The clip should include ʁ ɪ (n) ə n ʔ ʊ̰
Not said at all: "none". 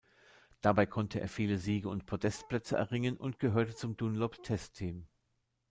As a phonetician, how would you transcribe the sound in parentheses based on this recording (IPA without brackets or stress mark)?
ŋ